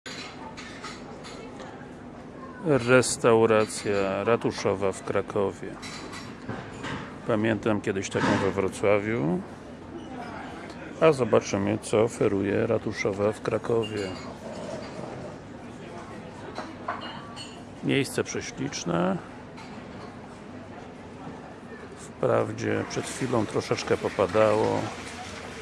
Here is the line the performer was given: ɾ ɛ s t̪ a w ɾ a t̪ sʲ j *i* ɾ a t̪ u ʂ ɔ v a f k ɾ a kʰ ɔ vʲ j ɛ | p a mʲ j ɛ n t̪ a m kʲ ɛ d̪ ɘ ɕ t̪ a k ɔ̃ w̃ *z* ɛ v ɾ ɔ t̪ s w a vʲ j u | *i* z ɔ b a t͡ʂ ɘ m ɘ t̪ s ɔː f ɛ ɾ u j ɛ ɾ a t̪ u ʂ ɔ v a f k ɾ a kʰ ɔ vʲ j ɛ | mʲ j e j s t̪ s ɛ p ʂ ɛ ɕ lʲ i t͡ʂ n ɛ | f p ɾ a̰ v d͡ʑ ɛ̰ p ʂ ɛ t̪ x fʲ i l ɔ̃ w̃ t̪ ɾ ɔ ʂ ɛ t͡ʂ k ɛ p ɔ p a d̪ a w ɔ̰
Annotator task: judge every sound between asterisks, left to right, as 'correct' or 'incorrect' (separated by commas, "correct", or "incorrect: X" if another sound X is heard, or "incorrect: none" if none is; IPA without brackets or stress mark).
incorrect: a, incorrect: v, incorrect: a